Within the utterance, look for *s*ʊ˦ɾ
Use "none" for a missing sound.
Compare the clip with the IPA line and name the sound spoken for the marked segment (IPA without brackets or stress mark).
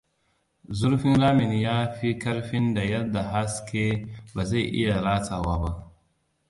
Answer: z